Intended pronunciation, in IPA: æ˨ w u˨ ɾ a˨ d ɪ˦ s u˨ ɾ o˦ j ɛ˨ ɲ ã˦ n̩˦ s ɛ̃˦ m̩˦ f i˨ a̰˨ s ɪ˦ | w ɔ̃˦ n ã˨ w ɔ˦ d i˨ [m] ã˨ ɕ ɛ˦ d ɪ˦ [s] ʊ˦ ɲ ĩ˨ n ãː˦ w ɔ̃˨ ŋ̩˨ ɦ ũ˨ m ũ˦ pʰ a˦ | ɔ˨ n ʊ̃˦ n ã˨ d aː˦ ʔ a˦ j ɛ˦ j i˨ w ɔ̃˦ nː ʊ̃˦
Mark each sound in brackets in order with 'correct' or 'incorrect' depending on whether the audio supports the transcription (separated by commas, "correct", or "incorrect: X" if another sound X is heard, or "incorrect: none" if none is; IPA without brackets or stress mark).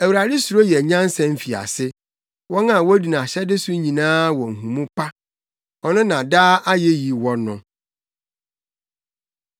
incorrect: n, correct